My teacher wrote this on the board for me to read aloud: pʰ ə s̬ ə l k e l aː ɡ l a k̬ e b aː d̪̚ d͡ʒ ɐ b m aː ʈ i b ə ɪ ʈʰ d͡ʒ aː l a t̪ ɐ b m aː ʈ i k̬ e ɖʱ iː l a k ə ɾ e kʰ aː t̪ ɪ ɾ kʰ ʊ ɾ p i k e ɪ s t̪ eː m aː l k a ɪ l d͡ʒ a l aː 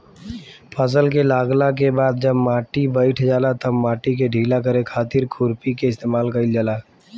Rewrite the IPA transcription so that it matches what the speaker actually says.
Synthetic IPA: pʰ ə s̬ ə l k e l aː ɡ l a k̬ e b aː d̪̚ d͡ʒ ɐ b m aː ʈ i b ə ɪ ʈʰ d͡ʒ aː l a t̪ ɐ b m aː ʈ i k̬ e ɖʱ iː l a k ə ɾ e kʰ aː t̪ ɪ ɾ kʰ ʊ ɾ p i k e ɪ s t̪ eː m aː l k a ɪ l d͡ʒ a l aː